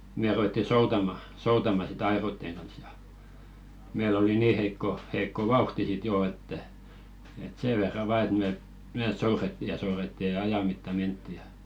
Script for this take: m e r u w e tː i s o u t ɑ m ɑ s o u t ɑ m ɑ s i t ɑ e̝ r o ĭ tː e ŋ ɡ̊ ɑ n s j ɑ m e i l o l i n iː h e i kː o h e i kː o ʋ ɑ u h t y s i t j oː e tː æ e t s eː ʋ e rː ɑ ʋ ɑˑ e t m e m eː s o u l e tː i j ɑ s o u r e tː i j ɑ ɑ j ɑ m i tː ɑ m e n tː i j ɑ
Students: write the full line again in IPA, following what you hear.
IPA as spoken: m e r u w e tː i s o u t ɑ m ɑ s o u t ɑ m ɑ s i t ɑ e̝ r o ĭ tː e ŋ ɡ̊ ɑ n s j ɑ m e i l o l i n iː h e i kː o h e i kː o ʋ ɑ u h t i s i t j oː e tː æ e t s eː ʋ e rː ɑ ʋ ɑˑ e t m e m eː s o u r e tː i j ɑ s o u r e tː i j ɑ ɑ j ɑ m i tː ɑ m e n tː i j ɑ